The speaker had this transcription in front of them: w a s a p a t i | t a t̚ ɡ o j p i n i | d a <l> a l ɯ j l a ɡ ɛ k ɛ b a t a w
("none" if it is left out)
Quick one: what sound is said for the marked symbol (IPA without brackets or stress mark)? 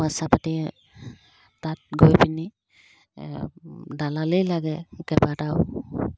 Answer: l